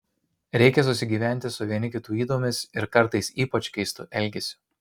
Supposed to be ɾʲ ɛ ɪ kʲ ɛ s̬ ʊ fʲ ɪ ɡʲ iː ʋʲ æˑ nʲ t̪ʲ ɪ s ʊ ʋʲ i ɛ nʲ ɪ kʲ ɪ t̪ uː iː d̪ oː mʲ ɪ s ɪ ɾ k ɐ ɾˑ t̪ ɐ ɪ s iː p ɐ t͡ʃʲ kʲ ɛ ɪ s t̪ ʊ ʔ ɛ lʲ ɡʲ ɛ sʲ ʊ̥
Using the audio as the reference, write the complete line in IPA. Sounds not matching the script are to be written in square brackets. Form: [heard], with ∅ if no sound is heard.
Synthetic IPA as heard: ɾʲ ɛ ɪ kʲ ɛ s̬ ʊ [sʲ] ɪ ɡʲ iː ʋʲ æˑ nʲ t̪ʲ ɪ s ʊ ʋʲ i ɛ nʲ ɪ kʲ ɪ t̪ uː iː d̪ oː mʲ ɪ s ɪ ɾ k ɐ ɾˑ t̪ ɐ ɪ s iː p ɐ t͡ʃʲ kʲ ɛ ɪ s t̪ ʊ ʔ ɛ lʲ ɡʲ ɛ sʲ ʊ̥